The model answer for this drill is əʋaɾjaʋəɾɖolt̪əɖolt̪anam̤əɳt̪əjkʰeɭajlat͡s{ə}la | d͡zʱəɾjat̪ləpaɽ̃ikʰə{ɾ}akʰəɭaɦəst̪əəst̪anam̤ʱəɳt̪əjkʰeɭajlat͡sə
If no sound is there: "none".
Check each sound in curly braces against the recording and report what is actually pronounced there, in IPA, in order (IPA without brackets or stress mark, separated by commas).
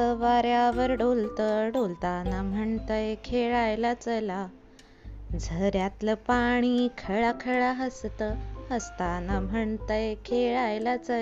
ə, ɭ